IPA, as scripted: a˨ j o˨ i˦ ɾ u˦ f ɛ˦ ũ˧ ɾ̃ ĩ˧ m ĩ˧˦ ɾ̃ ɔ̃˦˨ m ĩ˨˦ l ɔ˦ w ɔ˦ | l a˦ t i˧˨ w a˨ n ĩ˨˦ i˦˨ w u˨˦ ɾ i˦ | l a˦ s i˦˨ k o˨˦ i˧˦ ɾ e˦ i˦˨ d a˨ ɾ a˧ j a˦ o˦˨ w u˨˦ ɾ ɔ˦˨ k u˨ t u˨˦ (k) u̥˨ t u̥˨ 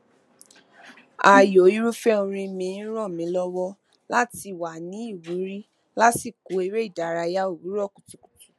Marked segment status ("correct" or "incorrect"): correct